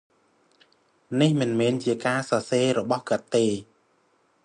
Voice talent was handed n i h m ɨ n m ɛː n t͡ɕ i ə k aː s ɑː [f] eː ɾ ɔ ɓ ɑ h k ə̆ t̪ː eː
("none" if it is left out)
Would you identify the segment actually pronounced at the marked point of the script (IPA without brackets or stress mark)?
s